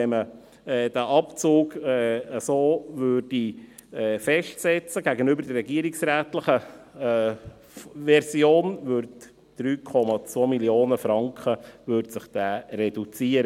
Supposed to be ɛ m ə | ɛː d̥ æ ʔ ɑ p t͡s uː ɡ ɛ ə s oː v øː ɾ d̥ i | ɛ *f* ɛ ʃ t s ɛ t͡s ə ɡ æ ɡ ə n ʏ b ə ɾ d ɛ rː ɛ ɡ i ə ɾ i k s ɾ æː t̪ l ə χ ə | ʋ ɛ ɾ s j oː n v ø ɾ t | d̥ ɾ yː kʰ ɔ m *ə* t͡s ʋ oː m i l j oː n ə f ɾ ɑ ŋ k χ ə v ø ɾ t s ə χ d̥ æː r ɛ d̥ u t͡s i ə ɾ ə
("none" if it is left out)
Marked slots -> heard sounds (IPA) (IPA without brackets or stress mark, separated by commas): f, ɑ